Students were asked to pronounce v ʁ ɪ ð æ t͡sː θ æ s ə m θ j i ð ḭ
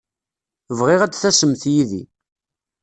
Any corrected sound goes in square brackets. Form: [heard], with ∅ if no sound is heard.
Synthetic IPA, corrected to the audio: v ʁ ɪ [ʁ] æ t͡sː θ æ s ə m θ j i ð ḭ